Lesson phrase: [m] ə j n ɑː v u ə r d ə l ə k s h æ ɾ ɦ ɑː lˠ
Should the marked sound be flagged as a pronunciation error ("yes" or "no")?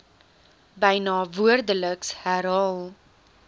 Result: yes